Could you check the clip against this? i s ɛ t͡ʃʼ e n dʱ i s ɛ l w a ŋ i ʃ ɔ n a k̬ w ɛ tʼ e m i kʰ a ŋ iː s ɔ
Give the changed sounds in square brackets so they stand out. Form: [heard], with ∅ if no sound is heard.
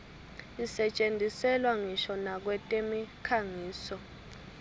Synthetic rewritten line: i s ɛ t͡ʃʼ e n dʱ i s ɛ l w a ŋ i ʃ ɔ n a k̬ w ɛ tʼ e m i kʰ a ŋ iː s ɔ